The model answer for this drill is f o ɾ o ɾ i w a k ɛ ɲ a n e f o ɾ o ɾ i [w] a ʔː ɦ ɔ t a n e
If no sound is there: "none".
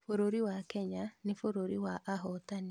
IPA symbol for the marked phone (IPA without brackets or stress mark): w